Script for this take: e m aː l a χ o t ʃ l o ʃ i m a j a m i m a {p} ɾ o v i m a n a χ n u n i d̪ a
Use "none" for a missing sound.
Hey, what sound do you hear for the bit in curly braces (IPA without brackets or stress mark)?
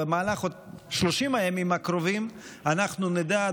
k